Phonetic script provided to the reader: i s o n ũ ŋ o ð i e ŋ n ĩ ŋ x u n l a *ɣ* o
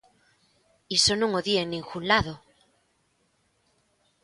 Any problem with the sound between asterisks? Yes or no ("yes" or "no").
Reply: yes